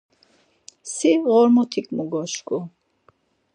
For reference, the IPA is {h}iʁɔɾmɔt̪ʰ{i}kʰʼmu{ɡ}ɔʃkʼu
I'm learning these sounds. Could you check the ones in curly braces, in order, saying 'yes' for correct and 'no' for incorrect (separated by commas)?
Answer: no, yes, yes